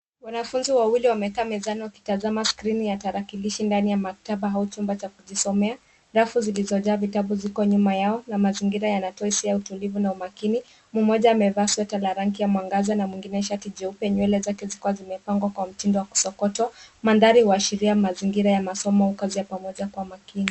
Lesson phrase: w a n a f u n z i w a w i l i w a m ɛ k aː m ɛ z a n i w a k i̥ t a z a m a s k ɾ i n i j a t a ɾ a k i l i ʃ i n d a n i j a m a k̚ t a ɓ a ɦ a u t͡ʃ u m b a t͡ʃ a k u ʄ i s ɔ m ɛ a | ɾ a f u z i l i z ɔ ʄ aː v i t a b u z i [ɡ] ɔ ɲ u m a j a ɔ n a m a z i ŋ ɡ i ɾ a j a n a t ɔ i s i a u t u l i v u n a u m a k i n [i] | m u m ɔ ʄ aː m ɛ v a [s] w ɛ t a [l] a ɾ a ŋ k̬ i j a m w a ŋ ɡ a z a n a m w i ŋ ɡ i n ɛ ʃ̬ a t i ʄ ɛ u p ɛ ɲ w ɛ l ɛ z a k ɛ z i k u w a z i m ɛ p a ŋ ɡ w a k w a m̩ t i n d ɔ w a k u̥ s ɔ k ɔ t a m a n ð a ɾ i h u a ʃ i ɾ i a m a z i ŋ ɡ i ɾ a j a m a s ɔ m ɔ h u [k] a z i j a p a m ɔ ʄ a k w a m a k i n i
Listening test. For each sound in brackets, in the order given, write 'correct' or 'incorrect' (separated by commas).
incorrect, correct, correct, correct, correct